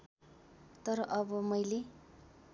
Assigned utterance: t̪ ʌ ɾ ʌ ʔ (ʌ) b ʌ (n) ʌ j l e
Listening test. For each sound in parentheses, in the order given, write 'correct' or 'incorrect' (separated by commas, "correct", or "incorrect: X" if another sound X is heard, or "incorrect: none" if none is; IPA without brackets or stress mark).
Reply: correct, incorrect: m